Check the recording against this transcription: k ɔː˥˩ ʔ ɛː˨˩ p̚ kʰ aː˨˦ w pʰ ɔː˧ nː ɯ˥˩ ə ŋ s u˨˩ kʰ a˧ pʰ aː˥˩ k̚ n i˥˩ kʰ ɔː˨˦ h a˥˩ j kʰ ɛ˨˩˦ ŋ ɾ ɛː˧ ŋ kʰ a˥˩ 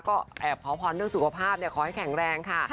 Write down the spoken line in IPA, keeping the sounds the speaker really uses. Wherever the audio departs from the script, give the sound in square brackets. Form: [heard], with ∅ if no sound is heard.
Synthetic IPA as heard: k ɔː˥˩ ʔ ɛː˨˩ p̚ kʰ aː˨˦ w pʰ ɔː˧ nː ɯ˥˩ ə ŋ s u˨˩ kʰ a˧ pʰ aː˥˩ [p̚] n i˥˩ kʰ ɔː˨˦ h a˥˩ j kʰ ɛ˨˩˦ ŋ ɾ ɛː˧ ŋ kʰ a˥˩